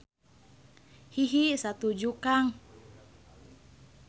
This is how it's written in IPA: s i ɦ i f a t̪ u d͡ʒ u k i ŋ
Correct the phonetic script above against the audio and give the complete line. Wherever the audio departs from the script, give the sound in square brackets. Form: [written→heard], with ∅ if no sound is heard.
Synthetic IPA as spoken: [s→h] i ɦ i [f→s] a t̪ u d͡ʒ u k [i→a] ŋ